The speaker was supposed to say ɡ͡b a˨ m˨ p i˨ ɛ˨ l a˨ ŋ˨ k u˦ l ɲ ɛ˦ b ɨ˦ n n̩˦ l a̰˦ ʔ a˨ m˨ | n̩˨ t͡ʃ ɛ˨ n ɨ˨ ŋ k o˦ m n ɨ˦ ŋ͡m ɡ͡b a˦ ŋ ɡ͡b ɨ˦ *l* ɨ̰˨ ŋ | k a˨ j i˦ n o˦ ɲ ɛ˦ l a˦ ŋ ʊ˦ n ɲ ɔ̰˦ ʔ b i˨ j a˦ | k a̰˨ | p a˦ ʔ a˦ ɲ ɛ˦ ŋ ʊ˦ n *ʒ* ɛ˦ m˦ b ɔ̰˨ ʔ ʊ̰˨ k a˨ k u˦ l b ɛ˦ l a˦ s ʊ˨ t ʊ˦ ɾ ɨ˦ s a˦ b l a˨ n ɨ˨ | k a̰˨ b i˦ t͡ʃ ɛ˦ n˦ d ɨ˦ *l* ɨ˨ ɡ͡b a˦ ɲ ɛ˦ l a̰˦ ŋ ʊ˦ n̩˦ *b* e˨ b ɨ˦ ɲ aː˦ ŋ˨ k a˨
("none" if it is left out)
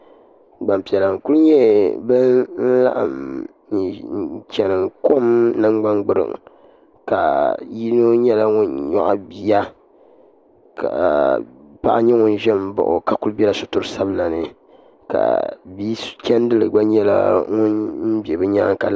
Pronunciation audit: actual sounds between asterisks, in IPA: ɾ, ʒ, l, b

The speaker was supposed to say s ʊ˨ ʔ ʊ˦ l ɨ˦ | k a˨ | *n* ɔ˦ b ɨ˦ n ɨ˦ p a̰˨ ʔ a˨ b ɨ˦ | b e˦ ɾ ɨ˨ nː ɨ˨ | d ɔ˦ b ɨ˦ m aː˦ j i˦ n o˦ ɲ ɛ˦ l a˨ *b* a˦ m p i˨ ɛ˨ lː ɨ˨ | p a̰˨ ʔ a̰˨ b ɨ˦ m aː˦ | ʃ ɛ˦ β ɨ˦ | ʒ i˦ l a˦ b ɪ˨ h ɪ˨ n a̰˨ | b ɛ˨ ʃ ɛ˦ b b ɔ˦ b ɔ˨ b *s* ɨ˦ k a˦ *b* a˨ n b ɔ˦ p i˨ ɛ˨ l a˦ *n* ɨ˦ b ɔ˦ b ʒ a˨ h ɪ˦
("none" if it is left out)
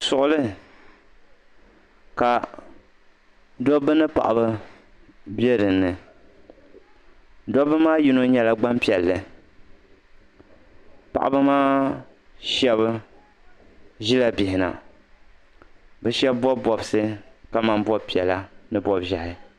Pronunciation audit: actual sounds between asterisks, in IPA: d, ɡ͡b, s, m, n

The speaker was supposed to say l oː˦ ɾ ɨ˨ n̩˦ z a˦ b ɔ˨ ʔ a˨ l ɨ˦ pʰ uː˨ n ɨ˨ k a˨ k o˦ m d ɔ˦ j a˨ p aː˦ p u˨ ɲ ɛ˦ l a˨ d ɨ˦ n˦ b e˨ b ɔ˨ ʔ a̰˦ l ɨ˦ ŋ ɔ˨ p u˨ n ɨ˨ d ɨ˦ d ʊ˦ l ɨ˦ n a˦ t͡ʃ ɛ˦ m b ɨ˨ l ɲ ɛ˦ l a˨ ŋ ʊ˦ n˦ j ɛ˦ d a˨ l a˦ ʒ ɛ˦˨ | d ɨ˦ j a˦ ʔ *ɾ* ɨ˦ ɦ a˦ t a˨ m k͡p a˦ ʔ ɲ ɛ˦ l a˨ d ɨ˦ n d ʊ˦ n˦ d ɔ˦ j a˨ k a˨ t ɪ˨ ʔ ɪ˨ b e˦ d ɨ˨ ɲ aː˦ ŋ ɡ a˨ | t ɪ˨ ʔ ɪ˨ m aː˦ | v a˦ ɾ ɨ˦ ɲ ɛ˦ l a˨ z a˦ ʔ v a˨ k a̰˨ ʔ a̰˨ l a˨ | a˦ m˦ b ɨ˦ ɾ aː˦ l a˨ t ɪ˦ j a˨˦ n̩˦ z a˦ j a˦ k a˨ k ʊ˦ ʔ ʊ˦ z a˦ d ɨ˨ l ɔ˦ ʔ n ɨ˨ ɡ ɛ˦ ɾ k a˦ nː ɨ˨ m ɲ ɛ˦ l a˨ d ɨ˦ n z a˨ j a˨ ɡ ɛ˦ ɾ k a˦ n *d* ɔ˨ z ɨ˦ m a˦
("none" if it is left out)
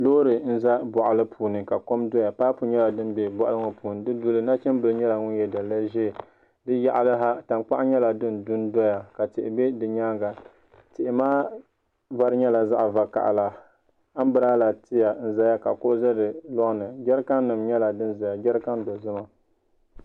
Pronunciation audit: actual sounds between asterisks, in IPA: l, d

